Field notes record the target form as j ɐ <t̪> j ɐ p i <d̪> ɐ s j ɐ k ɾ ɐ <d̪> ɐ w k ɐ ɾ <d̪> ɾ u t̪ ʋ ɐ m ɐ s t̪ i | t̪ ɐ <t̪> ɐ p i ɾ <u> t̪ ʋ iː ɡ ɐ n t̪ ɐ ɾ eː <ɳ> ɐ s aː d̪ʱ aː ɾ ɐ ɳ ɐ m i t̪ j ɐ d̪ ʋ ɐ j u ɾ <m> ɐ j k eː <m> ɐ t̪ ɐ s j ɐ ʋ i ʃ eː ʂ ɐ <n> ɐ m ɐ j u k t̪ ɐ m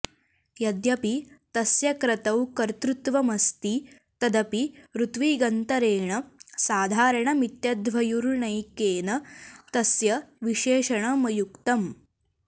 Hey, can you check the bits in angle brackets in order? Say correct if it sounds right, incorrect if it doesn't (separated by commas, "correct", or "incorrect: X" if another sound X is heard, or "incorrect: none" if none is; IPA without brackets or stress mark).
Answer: incorrect: d̪, incorrect: t̪, incorrect: t̪, incorrect: t̪, incorrect: d̪, correct, correct, incorrect: ɳ, incorrect: n, incorrect: ɳ